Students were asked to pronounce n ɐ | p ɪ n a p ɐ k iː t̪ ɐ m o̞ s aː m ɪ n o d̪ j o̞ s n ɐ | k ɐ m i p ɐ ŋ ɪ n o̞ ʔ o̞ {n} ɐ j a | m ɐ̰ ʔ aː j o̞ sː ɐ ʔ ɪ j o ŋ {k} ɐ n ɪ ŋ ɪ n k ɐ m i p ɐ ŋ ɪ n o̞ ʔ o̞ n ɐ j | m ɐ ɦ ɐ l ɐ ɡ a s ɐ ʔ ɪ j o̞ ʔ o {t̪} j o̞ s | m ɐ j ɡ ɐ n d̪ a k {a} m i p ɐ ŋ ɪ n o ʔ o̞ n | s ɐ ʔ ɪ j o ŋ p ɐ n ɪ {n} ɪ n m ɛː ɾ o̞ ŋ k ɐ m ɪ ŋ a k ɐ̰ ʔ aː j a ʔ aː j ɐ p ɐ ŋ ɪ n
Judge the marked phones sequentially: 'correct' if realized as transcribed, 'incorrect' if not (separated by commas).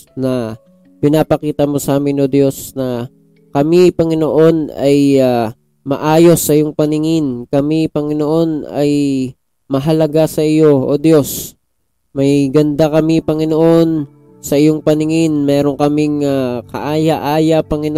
correct, incorrect, incorrect, incorrect, incorrect